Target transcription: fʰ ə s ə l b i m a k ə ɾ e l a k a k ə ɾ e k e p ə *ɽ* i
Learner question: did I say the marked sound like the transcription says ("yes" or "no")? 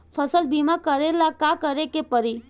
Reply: no